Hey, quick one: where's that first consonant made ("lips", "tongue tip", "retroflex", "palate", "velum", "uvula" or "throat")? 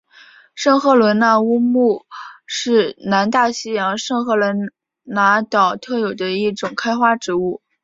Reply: retroflex